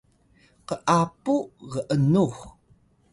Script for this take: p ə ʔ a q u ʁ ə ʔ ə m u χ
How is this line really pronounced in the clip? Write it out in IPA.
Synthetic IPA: q ə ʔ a p u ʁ ə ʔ ə n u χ